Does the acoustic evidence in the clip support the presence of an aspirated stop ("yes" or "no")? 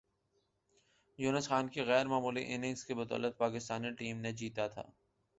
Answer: yes